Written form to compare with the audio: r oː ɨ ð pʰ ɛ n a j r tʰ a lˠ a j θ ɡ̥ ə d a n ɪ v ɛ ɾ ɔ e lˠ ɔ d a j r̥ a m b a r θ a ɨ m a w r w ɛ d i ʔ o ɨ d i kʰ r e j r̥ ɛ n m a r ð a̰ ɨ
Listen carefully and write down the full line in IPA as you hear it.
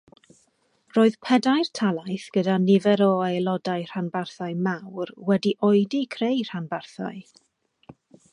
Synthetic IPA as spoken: r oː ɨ ð pʰ ɛ d a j r tʰ a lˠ a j θ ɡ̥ ə d a n ɪ v ɛ ɾ ɔ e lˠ ɔ d a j r̥ a n b a r θ a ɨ m a w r w ɛ d i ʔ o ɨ d i kʰ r e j r̥ a n b a r θ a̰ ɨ